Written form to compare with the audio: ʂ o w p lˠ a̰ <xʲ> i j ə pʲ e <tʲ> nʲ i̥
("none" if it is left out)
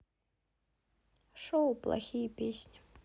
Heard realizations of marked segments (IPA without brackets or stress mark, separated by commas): xʲ, sʲ